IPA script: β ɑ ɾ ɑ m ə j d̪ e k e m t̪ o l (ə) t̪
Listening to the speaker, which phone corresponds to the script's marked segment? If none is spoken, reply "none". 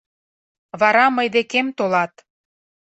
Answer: ɑ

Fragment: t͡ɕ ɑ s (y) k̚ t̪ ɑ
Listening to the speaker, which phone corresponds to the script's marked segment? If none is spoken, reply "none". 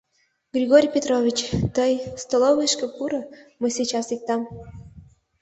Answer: i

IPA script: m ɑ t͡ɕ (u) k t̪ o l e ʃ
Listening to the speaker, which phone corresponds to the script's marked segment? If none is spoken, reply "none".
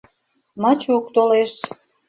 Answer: u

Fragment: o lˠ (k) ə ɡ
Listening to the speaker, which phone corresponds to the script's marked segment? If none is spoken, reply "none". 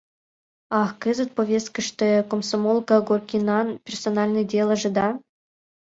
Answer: k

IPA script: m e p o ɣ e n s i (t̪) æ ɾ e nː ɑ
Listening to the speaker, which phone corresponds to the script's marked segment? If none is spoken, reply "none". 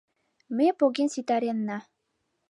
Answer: t̪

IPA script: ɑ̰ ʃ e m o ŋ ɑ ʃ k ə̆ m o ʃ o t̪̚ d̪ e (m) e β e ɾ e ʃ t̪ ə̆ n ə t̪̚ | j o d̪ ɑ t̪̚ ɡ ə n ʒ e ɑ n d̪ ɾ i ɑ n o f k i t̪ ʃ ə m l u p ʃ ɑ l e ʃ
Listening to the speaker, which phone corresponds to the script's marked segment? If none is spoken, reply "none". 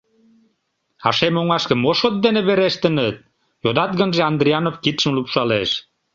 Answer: n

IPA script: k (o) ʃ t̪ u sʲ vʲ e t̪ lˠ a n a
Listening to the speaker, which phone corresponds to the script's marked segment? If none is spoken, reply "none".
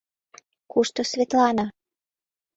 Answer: u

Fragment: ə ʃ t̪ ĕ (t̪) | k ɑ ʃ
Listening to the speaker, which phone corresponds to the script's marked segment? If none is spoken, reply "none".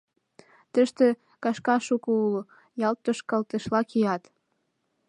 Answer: none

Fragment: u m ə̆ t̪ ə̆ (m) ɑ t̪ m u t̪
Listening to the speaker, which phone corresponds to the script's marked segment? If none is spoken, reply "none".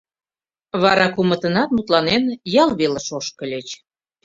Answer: n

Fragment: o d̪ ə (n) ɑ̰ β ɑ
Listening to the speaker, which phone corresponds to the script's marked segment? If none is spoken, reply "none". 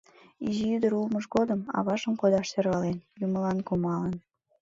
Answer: m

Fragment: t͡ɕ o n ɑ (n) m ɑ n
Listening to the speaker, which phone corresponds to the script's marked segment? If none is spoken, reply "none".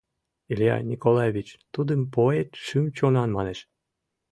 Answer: n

